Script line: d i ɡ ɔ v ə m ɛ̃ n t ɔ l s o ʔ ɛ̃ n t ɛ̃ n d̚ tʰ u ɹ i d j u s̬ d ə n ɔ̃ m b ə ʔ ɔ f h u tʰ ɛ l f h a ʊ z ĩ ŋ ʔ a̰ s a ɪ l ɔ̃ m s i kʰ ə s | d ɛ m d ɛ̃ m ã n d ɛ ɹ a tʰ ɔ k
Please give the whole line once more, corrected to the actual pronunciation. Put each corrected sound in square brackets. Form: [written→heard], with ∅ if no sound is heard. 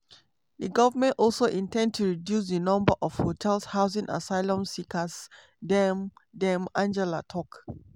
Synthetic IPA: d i ɡ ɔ v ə m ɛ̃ n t ɔ l s o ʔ [ɛ̃→ĩ] n t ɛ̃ n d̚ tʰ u ɹ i d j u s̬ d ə n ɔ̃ m b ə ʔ ɔ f h [u→o] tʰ ɛ l [f→s] h a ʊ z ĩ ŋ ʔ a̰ s a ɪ l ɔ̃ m s i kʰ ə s | d ɛ m d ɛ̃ m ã n [d→d͡ʒ] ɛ [ɹ→l] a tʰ ɔ k

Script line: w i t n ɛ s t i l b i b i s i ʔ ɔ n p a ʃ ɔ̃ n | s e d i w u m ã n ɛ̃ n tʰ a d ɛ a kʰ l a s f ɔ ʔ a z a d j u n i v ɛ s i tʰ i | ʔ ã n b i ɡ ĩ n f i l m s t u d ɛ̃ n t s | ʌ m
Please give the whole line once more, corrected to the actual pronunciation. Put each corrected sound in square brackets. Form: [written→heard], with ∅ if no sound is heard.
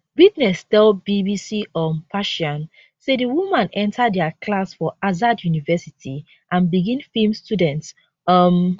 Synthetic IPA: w i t n ɛ s t [i→ɛ] l b i b i s i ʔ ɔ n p a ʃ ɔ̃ n | s e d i w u m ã n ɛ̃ n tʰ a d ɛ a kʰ l a s f ɔ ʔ a z a d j u n i v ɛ s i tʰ i | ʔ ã n b i ɡ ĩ n f i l m s t u d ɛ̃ n t s | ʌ m

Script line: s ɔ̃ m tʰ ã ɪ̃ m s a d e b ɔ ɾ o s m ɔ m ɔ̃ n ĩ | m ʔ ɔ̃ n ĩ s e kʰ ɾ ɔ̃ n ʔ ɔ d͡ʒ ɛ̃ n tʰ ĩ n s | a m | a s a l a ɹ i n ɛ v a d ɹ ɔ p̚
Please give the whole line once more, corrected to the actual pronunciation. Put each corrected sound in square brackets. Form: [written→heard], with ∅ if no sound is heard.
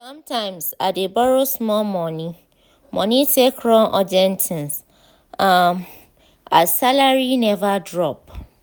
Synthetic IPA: s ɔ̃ m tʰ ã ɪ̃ m s a d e b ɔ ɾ o s m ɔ m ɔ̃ n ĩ | m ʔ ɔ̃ n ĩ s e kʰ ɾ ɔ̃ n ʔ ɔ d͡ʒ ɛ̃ n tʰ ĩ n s | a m | a s a l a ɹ i n ɛ v a d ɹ ɔ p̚

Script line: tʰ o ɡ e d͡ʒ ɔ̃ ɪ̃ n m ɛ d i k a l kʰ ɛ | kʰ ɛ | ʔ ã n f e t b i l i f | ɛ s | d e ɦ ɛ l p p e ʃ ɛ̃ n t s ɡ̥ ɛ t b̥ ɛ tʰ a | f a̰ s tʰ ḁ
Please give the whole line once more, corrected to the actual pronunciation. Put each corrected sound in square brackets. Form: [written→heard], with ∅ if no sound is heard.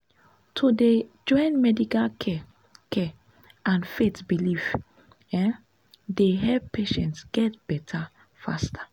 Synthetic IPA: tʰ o [ɡ→d] e d͡ʒ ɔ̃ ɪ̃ n m ɛ d i k a l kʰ ɛ | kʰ ɛ | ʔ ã n f e t b i l i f | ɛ [s→∅] | d e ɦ ɛ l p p e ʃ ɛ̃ n t s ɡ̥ ɛ t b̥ ɛ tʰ a | f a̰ s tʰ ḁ

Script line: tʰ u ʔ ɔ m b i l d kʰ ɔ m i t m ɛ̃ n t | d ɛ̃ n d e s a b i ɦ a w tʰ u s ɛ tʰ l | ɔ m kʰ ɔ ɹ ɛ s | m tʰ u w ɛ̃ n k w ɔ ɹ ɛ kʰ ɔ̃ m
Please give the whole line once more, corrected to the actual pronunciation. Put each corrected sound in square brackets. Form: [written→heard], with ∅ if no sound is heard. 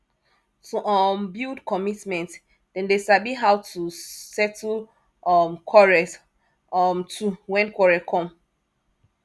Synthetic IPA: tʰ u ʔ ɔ m b i l d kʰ ɔ m i t m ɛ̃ n t | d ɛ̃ n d e s a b i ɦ a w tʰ u s ɛ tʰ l | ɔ m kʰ ɔ ɹ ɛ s | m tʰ u w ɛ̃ n k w ɔ ɹ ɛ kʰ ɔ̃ m

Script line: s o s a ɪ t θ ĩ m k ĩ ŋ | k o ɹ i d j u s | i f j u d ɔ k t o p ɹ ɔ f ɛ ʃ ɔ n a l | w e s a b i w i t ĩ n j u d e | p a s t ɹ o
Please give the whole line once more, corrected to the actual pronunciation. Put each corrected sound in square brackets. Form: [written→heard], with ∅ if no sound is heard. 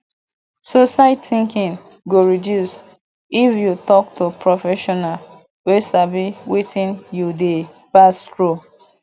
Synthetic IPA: s o s a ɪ t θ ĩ [m→ŋ] k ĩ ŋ | [k→ɡ] o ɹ i d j u s | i f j u [d→t] ɔ k t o p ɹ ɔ f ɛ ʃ ɔ n a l | w e s a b i w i t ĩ n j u d e | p a s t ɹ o

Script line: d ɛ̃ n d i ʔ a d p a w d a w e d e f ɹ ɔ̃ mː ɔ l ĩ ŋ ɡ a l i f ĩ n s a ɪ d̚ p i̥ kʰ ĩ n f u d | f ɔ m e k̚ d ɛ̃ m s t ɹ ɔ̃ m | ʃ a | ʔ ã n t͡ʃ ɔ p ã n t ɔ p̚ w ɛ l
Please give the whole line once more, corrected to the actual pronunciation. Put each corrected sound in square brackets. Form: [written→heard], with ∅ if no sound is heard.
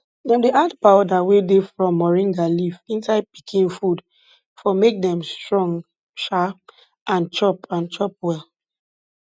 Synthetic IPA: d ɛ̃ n d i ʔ a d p a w d a w e d e f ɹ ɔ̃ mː ɔ [l→ɹ] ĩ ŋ ɡ a l i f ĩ n s a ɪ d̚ p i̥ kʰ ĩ n f u d | f ɔ m e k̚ d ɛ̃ m s t ɹ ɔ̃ [m→ŋ] | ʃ a | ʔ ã n t͡ʃ ɔ p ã n [t→t͡ʃ] ɔ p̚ w ɛ l

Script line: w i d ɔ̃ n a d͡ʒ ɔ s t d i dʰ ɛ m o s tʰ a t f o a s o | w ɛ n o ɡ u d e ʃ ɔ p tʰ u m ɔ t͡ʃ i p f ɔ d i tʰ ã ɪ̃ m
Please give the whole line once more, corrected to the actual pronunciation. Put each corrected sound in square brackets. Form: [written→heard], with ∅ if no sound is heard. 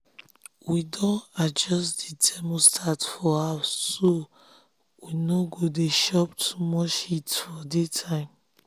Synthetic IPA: w i d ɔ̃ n a d͡ʒ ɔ s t d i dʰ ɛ m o s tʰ a t f [o→ɔ] a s o | w [ɛ→i] n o ɡ [u→o] d e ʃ ɔ p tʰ u m ɔ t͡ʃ i [p→t] f ɔ d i tʰ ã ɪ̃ m

